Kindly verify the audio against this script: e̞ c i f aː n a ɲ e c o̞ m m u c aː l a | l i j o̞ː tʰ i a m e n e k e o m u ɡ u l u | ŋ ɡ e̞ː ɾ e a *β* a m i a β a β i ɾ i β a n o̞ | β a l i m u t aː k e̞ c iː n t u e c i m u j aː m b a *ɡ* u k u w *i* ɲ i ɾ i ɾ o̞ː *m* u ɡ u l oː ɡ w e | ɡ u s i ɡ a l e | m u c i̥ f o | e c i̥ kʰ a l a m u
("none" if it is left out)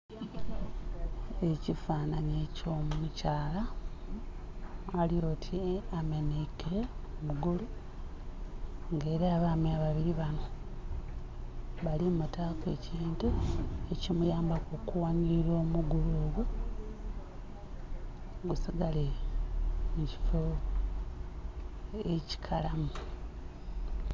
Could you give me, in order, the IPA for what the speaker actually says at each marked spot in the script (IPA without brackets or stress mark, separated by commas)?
β, k, a, m